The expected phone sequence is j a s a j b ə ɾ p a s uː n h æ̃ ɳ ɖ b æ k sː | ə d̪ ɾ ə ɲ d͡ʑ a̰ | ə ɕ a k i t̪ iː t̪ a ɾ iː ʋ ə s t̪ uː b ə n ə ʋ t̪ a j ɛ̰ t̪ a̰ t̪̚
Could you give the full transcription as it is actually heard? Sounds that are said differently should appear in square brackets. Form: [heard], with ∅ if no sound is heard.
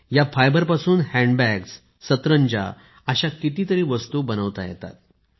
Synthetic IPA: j a [f] a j b ə ɾ p a s uː n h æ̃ ɳ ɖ b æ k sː | ə [t̪] ɾ ə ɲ d͡ʑ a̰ | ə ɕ a k i t̪ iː t̪ [ə] ɾ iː ʋ ə s t̪ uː b ə n ə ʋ t̪ a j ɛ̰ t̪ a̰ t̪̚